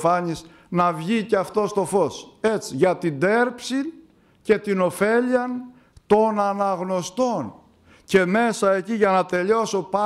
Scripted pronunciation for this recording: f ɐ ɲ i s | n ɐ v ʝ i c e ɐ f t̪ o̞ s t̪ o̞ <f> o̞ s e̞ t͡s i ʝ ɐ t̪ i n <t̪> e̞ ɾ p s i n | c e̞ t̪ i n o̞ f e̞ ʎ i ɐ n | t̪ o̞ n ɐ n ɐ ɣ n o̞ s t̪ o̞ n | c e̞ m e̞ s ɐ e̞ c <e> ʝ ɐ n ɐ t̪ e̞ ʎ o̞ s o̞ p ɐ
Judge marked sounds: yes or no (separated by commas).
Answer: yes, no, no